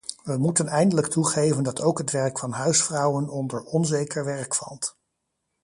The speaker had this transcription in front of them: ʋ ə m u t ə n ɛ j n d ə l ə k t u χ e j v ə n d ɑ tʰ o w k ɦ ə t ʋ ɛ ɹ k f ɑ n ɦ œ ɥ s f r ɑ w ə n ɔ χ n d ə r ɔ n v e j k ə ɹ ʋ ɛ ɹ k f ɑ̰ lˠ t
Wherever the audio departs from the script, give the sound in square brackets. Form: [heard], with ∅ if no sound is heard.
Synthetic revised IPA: ʋ ə m u t ə n ɛ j n d ə l ə k t u χ e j v ə n d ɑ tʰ o w k ɦ ə t ʋ ɛ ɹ k f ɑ n ɦ œ ɥ s f r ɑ w ə n ɔ [∅] n d ə [ɹ] ɔ n [z] e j k ə ɹ ʋ ɛ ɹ k f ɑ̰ lˠ t